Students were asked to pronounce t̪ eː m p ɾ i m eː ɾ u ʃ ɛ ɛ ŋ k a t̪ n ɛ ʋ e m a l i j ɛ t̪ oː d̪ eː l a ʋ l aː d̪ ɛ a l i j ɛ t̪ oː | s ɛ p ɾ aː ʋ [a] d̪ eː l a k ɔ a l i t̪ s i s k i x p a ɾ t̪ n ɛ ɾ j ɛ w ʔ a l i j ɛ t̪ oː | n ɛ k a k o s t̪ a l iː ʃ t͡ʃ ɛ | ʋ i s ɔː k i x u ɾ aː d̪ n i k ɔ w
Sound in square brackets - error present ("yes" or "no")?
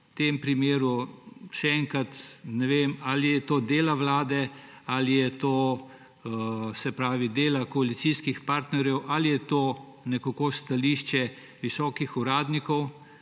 yes